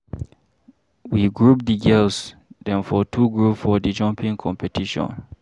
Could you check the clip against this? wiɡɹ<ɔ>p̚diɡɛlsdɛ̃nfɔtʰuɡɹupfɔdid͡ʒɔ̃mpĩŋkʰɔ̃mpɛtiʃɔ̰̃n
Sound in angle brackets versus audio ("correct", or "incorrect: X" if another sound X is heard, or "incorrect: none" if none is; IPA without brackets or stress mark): incorrect: u